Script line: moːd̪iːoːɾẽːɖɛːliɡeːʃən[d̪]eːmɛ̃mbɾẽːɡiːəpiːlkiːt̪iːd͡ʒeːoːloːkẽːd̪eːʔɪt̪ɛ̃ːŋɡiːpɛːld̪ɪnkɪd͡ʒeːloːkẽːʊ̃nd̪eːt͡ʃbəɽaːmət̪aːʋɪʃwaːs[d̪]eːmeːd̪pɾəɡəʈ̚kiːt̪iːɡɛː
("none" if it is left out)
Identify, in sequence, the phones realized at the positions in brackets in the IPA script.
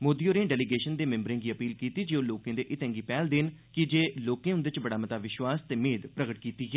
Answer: d̪, t̪

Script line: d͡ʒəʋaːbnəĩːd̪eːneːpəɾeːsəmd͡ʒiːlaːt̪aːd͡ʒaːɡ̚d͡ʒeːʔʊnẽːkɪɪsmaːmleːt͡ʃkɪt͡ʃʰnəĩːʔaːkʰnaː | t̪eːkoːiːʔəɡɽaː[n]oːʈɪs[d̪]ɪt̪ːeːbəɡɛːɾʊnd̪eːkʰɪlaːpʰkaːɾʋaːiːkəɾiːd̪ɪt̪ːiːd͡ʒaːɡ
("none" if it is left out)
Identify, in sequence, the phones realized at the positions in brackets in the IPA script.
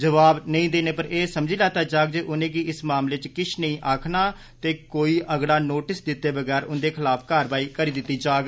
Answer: n, d̪

